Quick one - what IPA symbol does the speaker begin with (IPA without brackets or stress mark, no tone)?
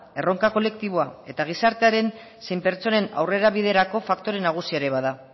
e̞